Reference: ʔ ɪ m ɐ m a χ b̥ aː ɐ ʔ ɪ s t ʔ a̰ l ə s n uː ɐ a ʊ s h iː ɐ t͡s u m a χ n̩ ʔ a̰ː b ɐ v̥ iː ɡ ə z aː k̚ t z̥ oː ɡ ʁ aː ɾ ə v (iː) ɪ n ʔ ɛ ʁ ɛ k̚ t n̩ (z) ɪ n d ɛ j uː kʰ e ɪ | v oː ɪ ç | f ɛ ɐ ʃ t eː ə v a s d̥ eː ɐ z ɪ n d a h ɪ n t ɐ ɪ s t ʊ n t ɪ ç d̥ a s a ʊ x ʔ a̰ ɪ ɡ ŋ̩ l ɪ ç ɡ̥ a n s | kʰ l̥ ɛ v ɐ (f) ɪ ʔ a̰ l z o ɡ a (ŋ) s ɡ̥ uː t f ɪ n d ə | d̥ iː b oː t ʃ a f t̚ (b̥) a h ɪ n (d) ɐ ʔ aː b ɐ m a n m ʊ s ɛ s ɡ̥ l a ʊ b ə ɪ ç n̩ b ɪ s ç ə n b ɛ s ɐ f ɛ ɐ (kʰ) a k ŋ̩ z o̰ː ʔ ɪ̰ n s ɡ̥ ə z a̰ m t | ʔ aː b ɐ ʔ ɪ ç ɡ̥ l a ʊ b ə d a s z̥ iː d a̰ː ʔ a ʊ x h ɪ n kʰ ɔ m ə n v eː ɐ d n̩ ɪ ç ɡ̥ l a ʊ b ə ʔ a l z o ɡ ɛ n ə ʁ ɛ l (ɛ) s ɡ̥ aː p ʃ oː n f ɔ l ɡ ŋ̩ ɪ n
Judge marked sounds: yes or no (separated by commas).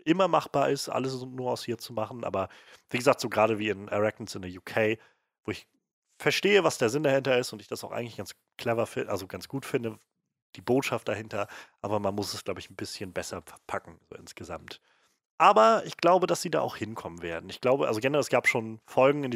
yes, no, yes, no, no, no, no, yes